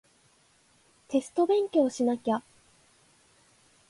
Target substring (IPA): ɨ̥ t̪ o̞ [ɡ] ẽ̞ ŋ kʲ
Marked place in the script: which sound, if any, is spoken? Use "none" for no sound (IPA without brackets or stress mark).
b